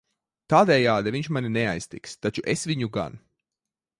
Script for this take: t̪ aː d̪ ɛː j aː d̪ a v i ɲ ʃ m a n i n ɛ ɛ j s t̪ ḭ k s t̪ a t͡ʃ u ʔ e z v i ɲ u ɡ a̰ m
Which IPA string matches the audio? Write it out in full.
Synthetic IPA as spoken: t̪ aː d̪ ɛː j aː d̪ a v i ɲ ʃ m a n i n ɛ a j s t̪ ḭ k s t̪ a t͡ʃ u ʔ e s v i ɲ u ɡ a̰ n

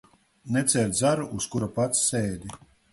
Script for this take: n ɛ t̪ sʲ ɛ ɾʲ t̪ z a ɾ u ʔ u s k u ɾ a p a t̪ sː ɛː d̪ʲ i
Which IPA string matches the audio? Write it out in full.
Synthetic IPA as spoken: n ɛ t̪ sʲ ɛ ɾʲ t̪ z a ɾ u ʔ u s k u ɾ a p a t̪ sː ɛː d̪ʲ i

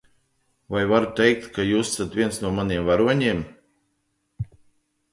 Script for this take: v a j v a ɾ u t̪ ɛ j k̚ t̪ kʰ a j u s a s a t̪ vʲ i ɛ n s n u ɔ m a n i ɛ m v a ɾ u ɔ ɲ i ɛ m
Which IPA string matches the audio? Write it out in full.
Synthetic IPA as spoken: v a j v a ɾ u t̪ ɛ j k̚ t̪ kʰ a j uː s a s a t̪ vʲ i ɛ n s n u ɔ m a n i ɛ m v a ɾ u ɔ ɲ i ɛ m

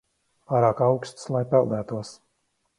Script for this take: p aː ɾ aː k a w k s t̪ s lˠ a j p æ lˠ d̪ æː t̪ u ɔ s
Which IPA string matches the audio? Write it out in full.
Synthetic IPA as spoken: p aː ɾ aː k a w k s t̪ s lˠ a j p ɛ lˠ d̪ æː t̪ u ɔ s

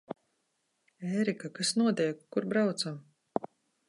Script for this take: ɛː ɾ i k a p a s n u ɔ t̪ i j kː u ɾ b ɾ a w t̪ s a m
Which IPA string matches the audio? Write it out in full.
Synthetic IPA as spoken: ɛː ɾ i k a k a s n u ɔ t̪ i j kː u ɾ b ɾ a w t̪ s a m

